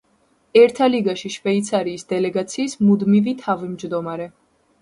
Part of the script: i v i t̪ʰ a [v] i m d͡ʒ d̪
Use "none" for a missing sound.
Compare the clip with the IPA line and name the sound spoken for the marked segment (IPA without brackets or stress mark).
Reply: v